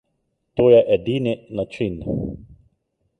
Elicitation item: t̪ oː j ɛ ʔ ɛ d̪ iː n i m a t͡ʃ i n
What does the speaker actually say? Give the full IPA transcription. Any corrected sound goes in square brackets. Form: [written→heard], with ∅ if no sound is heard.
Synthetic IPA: t̪ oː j ɛ ʔ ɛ d̪ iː n i [m→n] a t͡ʃ i n

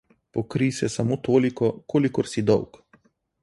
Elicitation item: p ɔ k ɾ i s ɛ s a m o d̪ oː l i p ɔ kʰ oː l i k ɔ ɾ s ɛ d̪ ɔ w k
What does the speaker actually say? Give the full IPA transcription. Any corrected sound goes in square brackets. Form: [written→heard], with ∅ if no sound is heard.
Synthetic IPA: p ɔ k ɾ i s ɛ s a m o [d̪→t̪] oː l i [p→k] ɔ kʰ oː l i k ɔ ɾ s [ɛ→i] d̪ ɔ w k

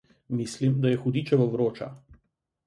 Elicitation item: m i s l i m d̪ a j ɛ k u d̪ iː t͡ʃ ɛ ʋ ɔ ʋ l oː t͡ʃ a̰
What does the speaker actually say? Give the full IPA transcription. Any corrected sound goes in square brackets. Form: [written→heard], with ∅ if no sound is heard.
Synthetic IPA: m i s l i m d̪ a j ɛ [k→x] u d̪ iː t͡ʃ ɛ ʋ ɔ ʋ [l→ɾ] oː t͡ʃ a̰

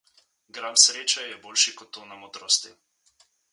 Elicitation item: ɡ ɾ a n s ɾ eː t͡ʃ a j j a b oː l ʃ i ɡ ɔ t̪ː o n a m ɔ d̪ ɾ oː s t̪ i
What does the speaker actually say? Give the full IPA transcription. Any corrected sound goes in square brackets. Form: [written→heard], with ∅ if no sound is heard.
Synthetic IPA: ɡ ɾ a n s ɾ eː t͡ʃ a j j [a→ɛ] b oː l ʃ i [ɡ→k] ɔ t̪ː o n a m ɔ d̪ ɾ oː s t̪ i

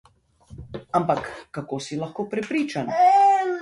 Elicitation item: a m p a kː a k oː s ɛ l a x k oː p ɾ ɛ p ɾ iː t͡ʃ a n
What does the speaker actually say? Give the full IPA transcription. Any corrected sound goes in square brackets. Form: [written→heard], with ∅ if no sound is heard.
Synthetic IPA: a m p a kː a k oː s [ɛ→i] l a x k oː p ɾ ɛ p ɾ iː t͡ʃ a n

